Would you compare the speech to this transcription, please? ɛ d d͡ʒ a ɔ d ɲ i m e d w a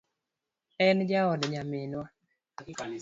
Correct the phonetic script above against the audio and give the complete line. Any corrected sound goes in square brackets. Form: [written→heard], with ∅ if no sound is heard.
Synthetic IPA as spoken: ɛ [d→n] d͡ʒ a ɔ d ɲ [i→a] m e [d→n] w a